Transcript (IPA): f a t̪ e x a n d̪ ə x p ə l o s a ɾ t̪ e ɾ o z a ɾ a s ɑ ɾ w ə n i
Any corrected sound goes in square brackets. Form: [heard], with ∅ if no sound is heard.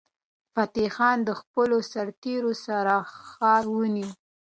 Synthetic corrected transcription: f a t̪ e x [ɑ] n d̪ ə x p ə l o s a ɾ t̪ e ɾ o [s] a ɾ a [x] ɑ ɾ w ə n i